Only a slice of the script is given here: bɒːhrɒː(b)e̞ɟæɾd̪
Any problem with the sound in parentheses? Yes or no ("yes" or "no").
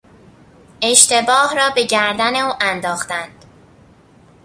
no